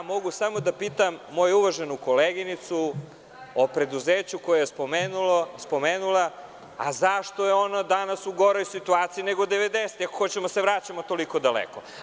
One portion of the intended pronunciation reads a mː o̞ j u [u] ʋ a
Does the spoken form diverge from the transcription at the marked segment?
no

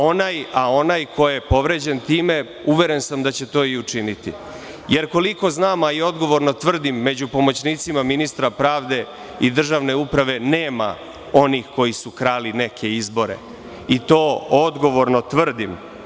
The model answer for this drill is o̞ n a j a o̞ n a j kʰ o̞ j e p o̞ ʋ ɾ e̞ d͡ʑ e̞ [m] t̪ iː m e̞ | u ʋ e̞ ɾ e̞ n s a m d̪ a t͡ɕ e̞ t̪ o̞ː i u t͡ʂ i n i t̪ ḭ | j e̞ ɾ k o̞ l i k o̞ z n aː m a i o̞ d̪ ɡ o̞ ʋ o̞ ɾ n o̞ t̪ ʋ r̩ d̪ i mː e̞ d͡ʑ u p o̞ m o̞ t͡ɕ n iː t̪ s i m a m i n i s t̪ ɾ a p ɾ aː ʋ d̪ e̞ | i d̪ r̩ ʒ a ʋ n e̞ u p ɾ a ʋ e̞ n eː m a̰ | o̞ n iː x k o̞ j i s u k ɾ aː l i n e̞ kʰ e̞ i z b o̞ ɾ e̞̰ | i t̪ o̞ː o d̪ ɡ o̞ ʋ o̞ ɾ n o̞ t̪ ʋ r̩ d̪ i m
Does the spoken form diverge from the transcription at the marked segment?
yes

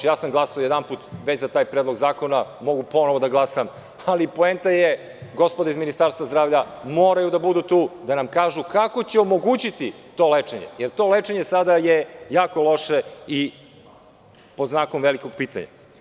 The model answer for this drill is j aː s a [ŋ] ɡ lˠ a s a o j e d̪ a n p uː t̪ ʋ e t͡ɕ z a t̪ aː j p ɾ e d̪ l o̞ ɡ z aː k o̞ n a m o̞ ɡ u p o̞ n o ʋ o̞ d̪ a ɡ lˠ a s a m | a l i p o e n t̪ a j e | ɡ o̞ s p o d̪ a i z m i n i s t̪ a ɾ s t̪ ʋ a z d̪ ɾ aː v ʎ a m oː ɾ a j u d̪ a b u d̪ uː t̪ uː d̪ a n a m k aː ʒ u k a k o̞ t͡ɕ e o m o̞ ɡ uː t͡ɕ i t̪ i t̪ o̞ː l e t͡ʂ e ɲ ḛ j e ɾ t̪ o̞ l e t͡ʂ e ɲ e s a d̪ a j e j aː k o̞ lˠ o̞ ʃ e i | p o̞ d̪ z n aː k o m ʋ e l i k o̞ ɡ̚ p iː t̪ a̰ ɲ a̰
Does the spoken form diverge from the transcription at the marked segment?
yes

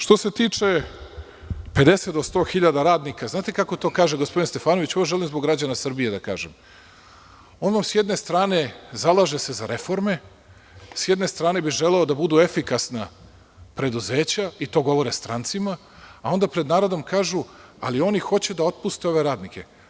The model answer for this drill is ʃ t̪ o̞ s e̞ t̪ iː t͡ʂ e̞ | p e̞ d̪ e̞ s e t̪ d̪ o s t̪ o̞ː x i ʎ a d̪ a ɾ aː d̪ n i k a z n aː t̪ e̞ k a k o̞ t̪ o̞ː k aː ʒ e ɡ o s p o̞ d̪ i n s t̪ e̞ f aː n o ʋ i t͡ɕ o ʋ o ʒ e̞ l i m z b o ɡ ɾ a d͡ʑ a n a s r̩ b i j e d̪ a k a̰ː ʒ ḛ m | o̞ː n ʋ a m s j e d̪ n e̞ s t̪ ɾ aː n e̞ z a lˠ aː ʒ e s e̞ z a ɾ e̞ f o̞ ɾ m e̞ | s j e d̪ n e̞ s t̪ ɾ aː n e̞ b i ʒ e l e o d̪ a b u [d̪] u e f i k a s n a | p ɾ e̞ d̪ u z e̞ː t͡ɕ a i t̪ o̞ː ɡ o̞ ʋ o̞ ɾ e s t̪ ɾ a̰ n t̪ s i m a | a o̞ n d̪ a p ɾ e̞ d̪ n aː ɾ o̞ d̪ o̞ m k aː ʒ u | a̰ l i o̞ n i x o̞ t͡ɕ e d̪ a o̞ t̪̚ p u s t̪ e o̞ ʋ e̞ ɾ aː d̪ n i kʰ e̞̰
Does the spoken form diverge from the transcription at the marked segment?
no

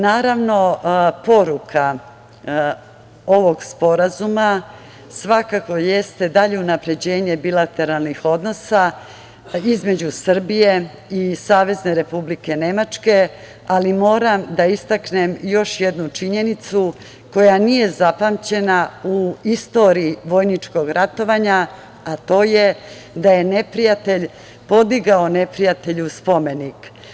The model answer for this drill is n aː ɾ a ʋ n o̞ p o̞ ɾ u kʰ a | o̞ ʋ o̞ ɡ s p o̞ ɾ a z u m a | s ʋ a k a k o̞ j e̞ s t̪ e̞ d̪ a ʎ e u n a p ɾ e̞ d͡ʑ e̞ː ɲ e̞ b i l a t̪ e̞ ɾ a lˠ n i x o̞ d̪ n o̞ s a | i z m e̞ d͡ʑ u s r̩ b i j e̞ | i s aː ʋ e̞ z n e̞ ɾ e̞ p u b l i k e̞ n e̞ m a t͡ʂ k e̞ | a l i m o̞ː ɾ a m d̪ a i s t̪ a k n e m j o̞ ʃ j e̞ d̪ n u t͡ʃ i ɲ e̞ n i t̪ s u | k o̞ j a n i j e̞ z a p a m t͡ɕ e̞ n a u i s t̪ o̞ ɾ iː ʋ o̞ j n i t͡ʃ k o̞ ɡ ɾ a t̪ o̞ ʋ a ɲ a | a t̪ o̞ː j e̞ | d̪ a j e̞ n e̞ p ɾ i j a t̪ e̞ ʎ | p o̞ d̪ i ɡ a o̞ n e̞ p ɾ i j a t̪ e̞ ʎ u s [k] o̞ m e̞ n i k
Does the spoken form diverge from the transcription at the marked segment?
yes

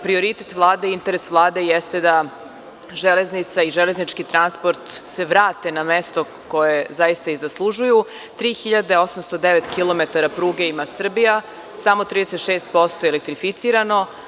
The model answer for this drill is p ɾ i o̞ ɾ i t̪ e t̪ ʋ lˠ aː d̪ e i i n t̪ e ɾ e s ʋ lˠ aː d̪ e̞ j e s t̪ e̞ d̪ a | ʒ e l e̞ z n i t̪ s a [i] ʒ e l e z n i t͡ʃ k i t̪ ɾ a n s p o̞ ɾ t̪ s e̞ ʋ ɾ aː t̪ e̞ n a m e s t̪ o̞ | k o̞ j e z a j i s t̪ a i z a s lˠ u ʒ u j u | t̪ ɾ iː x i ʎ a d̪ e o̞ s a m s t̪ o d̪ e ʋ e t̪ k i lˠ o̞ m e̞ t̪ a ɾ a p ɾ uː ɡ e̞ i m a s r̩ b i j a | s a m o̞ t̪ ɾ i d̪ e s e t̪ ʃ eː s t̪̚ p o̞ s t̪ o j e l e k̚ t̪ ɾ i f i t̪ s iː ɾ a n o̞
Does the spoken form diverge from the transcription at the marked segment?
no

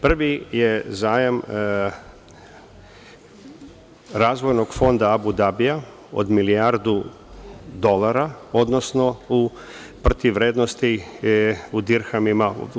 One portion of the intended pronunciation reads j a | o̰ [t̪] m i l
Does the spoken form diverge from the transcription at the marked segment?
yes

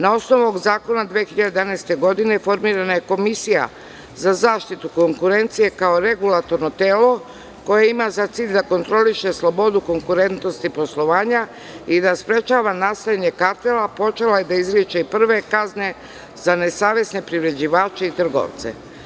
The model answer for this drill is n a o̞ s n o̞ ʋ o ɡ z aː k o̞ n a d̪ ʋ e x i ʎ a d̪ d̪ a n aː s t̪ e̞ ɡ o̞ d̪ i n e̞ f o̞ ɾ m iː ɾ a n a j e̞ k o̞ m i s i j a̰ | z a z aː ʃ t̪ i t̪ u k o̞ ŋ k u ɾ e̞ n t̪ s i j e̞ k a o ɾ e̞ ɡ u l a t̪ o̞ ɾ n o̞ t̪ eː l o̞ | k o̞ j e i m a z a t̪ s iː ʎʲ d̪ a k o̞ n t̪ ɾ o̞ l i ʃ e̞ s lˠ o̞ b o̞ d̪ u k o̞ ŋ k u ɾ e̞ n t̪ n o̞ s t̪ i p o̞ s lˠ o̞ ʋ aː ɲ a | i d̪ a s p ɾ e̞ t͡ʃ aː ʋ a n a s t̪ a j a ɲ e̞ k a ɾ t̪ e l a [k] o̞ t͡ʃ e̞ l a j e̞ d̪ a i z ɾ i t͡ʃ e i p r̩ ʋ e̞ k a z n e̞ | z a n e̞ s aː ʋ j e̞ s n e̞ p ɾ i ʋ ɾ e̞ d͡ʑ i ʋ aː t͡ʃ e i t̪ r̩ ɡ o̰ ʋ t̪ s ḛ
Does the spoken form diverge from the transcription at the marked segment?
yes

